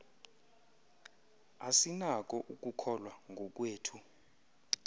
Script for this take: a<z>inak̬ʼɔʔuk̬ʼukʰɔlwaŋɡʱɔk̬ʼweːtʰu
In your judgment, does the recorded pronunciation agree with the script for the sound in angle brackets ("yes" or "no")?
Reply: no